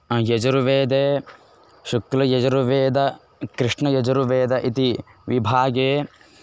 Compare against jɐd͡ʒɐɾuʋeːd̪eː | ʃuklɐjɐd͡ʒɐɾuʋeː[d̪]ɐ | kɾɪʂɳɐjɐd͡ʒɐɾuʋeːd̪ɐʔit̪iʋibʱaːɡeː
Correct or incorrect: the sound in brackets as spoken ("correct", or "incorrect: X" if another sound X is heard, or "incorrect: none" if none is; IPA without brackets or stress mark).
correct